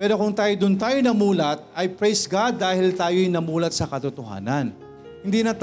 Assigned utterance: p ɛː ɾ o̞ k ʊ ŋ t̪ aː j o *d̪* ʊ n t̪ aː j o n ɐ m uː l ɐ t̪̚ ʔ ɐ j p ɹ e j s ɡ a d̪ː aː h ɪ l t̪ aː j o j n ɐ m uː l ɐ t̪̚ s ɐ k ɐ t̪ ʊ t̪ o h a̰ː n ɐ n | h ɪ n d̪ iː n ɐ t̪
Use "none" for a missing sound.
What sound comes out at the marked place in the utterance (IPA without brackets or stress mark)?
d̪